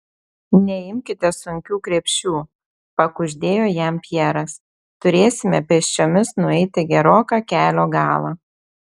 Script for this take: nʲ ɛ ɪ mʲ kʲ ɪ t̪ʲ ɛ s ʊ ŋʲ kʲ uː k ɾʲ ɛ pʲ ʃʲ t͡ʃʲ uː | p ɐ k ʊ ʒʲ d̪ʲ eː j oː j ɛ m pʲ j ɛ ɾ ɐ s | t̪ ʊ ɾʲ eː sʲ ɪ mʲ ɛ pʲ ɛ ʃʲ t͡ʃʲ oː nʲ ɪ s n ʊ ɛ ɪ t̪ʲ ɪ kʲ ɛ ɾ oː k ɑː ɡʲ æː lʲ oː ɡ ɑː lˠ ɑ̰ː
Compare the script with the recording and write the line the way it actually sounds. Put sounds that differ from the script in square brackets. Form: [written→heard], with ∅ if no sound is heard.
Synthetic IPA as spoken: nʲ ɛ ɪ mʲ kʲ ɪ t̪ʲ ɛ s ʊ ŋʲ kʲ uː k ɾʲ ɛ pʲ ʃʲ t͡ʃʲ uː | p ɐ k ʊ ʒʲ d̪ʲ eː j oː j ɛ m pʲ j ɛ ɾ ɐ s | t̪ ʊ ɾʲ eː sʲ ɪ mʲ ɛ pʲ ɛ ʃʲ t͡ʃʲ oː [nʲ→mʲ] ɪ s n ʊ ɛ ɪ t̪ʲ ɪ [kʲ→ɡʲ] ɛ ɾ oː k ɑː [ɡʲ→kʲ] æː lʲ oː ɡ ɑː lˠ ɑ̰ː